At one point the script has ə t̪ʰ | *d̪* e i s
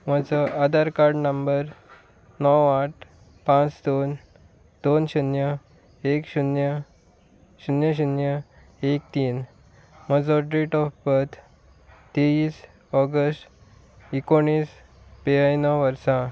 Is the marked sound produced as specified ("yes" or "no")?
no